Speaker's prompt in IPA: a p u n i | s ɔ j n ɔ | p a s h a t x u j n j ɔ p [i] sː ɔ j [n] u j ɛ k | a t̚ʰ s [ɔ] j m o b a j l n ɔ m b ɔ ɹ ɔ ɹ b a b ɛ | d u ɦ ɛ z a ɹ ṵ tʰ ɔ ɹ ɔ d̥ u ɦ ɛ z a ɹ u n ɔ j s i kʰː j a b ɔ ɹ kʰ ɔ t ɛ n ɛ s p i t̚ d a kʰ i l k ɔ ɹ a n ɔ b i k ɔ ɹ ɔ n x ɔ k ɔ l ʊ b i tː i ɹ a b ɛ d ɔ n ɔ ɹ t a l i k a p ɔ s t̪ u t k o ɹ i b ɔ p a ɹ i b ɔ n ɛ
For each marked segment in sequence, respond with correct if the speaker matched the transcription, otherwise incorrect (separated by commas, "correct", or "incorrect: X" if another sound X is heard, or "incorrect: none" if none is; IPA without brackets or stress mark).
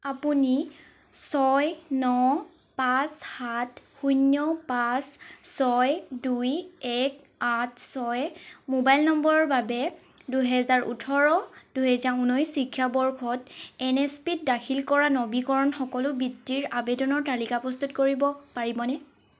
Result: incorrect: a, incorrect: d, correct